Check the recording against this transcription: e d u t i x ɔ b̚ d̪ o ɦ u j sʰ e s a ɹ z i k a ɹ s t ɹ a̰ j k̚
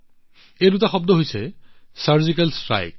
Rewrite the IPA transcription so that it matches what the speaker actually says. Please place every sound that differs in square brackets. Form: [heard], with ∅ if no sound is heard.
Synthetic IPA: e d u t [a] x ɔ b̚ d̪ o ɦ [o] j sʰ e s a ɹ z i k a [l] s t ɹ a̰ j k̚